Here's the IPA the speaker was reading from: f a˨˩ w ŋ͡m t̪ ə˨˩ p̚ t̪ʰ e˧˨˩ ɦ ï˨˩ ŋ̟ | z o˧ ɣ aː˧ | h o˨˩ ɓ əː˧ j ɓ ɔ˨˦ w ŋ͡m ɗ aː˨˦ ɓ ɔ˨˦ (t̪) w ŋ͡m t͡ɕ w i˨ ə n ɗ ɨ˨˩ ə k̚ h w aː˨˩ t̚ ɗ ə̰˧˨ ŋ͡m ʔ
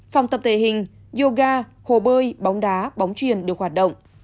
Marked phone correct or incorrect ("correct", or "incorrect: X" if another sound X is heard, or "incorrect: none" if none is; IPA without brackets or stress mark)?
incorrect: none